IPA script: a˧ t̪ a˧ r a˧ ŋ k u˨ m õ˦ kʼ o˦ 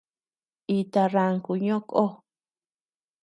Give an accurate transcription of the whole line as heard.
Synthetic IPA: i˧ t̪ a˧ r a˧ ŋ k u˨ ɲ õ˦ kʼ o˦